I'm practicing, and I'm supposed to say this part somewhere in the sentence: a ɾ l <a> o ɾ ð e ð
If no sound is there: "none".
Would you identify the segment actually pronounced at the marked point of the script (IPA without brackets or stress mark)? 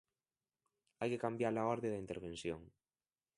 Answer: a